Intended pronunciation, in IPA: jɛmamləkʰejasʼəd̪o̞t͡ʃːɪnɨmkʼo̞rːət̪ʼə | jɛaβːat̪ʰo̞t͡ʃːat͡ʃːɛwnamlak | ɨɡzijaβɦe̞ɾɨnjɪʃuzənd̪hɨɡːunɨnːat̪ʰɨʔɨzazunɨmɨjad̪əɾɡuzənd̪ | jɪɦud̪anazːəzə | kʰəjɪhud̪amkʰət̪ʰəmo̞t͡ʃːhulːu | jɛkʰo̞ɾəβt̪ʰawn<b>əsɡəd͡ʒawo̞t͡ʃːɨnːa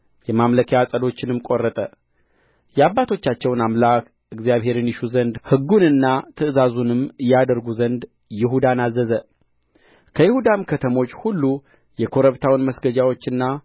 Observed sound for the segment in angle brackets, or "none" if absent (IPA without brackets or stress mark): m